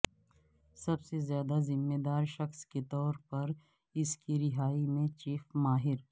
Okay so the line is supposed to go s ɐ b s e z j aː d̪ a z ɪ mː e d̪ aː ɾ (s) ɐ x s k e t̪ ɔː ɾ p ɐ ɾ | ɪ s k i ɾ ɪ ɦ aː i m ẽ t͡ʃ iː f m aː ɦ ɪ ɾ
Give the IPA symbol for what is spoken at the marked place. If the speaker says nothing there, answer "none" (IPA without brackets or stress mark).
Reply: ʃ